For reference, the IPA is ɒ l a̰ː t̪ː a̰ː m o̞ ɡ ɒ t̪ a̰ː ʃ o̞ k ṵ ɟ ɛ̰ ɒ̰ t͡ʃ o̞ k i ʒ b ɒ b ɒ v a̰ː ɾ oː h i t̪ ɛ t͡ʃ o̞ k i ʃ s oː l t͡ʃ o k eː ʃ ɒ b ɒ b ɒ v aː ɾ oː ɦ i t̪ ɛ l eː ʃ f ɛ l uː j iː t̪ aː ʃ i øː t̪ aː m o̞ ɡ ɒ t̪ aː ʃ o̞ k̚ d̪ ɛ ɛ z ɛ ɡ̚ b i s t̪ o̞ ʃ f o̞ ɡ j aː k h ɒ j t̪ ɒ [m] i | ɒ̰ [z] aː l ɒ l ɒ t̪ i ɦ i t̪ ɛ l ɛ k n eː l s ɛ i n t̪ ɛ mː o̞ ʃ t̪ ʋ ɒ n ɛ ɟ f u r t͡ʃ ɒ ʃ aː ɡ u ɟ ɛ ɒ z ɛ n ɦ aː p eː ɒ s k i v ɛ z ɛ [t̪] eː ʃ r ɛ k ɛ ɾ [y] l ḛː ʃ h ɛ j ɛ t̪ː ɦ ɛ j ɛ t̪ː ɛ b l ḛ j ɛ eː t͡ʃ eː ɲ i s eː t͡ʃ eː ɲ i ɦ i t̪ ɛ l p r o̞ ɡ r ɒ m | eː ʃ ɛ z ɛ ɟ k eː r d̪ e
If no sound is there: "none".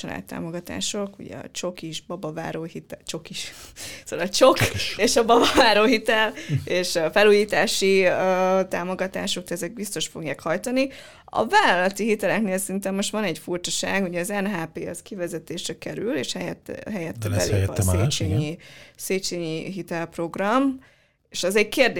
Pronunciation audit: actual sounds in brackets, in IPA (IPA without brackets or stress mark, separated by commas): n, v, t̪, y